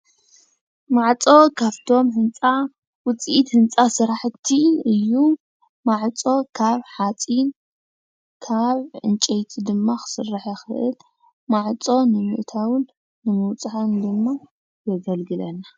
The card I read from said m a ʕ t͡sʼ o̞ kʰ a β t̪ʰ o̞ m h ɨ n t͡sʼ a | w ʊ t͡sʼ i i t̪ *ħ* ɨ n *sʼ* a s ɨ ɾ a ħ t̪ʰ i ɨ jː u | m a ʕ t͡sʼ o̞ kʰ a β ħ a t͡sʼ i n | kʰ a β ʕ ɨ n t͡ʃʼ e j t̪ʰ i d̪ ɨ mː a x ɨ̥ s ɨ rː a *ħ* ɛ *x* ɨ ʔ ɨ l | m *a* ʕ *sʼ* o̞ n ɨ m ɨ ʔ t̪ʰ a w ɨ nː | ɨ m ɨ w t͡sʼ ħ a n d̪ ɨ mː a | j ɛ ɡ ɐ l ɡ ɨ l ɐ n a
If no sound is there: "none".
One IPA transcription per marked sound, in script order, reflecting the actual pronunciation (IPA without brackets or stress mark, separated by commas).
h, t͡sʼ, ħ, x, a, t͡sʼ